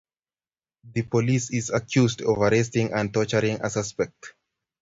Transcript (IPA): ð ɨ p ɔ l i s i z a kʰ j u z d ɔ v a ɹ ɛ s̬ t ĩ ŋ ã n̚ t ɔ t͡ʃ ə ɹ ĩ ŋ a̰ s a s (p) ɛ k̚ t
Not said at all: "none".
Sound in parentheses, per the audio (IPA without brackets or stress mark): p